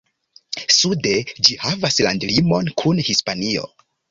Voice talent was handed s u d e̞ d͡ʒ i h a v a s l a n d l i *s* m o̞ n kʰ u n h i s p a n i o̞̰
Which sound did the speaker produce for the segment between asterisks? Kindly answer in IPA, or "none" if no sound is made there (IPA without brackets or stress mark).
none